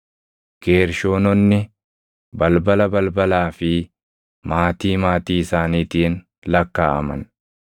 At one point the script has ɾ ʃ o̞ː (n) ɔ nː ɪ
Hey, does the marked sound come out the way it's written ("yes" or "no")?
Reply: yes